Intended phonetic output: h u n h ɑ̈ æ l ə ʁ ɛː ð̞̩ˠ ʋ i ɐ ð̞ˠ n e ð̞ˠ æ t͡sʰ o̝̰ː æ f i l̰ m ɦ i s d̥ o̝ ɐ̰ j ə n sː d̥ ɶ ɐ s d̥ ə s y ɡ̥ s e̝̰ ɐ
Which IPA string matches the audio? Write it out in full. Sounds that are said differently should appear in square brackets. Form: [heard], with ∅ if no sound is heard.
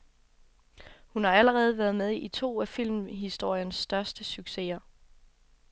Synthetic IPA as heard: h u n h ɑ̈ æ l ə ʁ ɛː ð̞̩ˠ ʋ [æ] ɐ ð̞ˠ [m] e ð̞ˠ [i] t͡sʰ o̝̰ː æ f i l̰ m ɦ i s d̥ o̝ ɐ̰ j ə n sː d̥ ɶ ɐ s d̥ ə s y ɡ̥ s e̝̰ ɐ